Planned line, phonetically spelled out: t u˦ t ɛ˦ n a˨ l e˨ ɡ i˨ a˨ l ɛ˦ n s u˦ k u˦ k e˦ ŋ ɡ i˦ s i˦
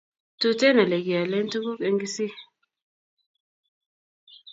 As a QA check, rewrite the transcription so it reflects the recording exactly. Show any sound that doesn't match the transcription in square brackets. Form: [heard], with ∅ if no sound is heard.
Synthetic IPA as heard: t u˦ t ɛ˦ n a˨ l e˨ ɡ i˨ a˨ l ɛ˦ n [t] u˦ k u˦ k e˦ ŋ ɡ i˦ s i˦